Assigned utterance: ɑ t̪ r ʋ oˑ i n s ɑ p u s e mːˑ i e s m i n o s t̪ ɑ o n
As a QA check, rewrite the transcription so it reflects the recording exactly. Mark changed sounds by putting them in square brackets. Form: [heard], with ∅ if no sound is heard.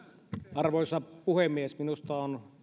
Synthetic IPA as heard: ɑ [∅] r ʋ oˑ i [∅] s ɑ p u [h] e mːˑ i e s m i n [u] s t̪ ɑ o n